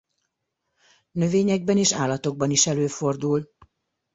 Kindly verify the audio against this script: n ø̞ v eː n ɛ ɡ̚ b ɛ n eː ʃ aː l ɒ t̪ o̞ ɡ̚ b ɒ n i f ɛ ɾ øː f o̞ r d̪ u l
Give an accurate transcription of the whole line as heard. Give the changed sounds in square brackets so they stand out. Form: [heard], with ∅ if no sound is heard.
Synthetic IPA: n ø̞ v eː [ɲ] ɛ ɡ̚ b ɛ n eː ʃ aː l ɒ t̪ o̞ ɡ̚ b ɒ n i [ʃ] ɛ [l] øː f o̞ r d̪ u l